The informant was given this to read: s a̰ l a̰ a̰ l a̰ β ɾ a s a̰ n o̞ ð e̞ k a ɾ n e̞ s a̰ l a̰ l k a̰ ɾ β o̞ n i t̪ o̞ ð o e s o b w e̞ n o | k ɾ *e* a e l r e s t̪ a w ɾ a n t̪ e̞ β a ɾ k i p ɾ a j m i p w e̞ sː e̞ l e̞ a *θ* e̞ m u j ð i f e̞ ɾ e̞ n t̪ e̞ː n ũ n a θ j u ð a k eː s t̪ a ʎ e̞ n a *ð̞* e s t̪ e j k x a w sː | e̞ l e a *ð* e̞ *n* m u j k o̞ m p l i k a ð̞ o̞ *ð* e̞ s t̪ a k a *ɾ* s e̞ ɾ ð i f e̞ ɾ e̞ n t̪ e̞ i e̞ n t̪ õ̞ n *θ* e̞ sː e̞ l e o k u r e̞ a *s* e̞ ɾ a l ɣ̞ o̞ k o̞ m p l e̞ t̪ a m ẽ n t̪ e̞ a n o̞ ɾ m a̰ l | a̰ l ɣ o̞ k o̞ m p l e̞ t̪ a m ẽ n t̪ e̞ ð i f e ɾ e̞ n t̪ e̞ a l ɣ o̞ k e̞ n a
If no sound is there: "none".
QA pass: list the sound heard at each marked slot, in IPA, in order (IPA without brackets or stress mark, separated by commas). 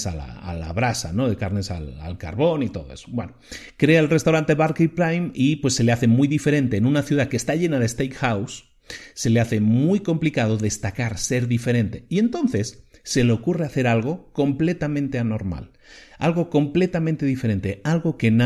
e, θ, ð̞, θ, m, ð, ɾ, θ, θ